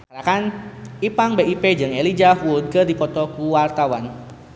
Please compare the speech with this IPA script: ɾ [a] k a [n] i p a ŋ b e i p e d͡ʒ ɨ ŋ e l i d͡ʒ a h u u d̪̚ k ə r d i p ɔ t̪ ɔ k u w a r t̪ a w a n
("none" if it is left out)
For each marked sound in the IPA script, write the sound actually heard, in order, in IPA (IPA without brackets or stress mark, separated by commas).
a, n